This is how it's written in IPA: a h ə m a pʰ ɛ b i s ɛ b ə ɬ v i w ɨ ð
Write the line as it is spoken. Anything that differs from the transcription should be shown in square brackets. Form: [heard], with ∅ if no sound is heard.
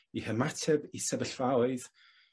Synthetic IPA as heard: [i] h ə m a [tʰ] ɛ b i s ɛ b ə ɬ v [a] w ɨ ð

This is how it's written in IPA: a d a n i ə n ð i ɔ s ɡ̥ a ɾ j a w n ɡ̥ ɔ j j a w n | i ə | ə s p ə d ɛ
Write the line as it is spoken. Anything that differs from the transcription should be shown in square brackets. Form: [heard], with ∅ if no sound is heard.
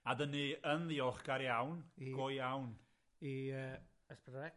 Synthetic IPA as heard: a d [ə] n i ə n ð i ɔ [χ] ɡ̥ a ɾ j a w n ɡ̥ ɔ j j a w n | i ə | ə s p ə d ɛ

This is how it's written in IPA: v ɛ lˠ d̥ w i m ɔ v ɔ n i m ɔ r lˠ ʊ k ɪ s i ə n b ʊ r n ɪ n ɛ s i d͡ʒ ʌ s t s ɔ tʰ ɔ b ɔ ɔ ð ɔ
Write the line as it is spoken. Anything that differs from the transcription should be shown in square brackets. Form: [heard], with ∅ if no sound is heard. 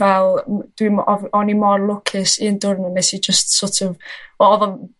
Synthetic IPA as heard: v ɛ lˠ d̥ w i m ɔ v ɔ n i m ɔ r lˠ ʊ [kʰ] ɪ s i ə n [d] ʊ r n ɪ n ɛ s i d͡ʒ [ə] s t s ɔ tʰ ɔ [v] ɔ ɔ ð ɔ

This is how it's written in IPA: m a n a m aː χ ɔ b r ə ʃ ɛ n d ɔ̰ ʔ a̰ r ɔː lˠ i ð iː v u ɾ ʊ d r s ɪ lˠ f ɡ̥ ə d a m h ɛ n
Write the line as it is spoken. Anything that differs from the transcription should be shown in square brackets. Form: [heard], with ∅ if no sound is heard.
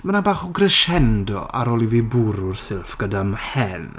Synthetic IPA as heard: m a n a [b] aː χ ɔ [ɡ] r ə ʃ ɛ n d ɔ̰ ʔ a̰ [ɾ] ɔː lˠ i [v] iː [b] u ɾ ʊ [∅] r s ɪ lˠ f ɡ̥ ə d a m h ɛ n

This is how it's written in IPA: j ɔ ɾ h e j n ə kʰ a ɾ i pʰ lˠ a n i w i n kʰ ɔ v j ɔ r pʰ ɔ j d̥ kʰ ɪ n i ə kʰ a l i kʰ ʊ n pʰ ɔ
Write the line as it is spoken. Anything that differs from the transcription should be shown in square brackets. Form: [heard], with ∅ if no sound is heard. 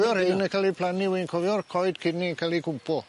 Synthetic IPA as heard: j ɔ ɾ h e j n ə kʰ a [l] i pʰ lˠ a n i w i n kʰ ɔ v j ɔ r [kʰ] ɔ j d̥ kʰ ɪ n i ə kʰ a l i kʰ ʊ [m] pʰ ɔ

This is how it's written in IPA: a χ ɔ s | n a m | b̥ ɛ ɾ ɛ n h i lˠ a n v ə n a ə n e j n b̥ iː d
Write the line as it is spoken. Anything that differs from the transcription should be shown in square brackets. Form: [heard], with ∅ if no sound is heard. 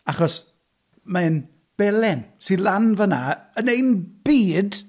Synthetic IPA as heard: a χ ɔ s | [m] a [n] | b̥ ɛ [l] ɛ n [s] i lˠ a n v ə n a ə n e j n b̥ iː d

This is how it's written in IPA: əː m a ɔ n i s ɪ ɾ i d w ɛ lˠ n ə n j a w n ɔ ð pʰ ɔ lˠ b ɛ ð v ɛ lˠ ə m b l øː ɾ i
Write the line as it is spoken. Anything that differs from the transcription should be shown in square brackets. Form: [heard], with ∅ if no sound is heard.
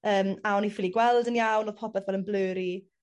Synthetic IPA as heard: əː m a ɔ n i [f] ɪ [l] i [ɡ] w ɛ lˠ [d] ə n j a w n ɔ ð pʰ ɔ [∅] b ɛ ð v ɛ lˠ ə [n] b l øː ɾ i

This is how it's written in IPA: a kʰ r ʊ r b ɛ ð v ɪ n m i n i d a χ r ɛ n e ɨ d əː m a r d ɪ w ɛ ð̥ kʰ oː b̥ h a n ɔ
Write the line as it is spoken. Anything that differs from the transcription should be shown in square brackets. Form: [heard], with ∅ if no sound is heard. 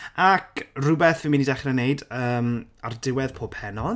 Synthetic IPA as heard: a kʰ r ʊ [∅] b ɛ [θ] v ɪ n m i n i d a χ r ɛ n e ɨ d əː m a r d ɪ w ɛ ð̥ [pʰ] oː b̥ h [ɛ] n ɔ

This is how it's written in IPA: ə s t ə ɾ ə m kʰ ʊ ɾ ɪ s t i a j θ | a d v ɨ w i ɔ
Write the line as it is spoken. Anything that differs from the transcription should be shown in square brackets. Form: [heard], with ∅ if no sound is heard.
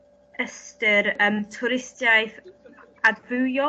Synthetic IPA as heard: ə s t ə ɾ ə m [tʰ] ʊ ɾ ɪ s t [j] a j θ | a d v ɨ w [j] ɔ

